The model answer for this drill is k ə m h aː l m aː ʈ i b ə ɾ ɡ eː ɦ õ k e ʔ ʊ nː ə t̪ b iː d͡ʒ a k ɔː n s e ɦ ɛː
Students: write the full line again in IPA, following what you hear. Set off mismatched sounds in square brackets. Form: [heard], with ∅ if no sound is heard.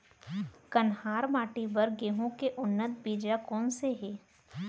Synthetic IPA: k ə [n] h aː [ɾ] m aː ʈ i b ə ɾ ɡ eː ɦ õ k e ʔ ʊ nː ə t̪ b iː d͡ʒ a k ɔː n s e ɦ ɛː